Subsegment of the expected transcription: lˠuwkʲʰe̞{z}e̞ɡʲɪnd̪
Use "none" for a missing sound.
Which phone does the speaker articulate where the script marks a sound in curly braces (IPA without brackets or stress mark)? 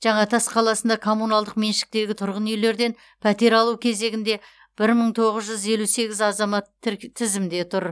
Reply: z